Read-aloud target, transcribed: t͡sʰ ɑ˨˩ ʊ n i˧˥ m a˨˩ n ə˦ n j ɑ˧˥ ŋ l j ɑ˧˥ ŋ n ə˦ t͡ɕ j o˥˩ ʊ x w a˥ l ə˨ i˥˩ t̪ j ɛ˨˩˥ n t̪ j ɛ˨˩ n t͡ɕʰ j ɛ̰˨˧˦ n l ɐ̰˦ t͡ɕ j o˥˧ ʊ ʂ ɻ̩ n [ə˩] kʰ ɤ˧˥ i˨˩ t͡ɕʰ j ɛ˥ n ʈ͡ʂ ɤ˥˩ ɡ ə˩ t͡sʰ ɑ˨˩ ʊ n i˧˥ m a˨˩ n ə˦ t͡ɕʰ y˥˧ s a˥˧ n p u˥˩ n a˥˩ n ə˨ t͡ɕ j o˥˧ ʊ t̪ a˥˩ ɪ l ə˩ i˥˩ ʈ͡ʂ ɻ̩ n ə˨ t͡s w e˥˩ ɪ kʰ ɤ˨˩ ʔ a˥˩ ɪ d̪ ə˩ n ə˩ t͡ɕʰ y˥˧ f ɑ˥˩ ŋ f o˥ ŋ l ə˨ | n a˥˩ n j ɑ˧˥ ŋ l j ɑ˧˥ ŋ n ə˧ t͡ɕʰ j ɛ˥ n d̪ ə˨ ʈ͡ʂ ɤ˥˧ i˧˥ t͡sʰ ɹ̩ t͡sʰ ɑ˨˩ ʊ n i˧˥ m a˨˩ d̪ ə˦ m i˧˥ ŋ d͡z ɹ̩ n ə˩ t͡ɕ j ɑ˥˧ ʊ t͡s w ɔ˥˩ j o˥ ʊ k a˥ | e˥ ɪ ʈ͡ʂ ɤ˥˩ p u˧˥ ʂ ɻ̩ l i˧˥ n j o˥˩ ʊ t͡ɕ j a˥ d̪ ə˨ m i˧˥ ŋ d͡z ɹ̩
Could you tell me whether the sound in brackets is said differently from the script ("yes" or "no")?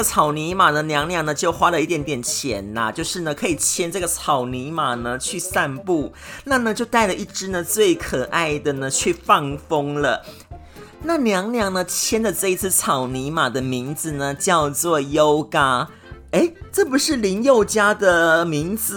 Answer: no